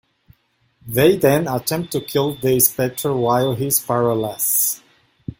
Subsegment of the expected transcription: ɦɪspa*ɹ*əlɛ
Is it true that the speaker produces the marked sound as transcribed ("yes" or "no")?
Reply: yes